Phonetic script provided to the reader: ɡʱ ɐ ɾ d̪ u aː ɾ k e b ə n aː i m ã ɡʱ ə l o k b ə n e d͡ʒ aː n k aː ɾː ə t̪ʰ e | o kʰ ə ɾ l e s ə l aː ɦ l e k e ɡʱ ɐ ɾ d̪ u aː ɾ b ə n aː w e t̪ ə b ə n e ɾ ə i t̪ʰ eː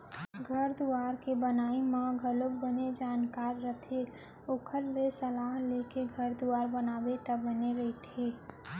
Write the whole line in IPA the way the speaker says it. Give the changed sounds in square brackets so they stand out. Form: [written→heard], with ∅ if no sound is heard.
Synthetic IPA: ɡʱ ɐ ɾ d̪ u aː ɾ k e b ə n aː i m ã ɡʱ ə l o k b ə n e d͡ʒ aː n k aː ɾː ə t̪ʰ e | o kʰ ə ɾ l e s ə l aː ɦ l e k e ɡʱ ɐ ɾ d̪ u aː ɾ b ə n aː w e t̪ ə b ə n e ɾ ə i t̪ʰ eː